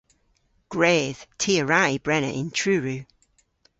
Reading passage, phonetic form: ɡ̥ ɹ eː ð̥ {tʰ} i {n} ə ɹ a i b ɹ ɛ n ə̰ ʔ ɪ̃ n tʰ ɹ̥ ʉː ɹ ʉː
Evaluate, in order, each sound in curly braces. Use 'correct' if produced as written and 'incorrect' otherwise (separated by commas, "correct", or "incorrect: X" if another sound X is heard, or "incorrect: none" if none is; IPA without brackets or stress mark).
correct, incorrect: none